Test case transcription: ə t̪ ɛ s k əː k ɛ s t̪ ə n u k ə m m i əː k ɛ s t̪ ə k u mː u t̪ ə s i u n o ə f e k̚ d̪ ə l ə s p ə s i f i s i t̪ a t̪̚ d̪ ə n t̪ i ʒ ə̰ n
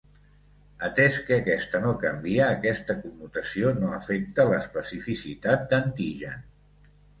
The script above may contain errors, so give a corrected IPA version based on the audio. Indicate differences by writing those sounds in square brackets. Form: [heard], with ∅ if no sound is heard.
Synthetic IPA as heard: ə t̪ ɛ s k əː k ɛ s t̪ ə n [o] k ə m [b] i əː k ɛ s t̪ ə k u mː u t̪ ə s i [o] n o ə f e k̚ [t̪] ə l ə s p ə s i f i s i t̪ a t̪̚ d̪ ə n t̪ i ʒ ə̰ n